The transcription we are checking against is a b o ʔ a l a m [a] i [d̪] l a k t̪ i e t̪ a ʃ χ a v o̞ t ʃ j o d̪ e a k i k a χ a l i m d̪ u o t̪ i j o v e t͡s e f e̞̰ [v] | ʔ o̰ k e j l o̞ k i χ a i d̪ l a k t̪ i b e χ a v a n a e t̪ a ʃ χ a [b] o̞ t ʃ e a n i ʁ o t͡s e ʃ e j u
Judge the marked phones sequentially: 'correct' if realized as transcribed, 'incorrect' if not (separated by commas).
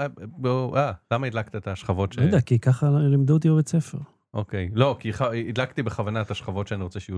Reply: correct, correct, incorrect, incorrect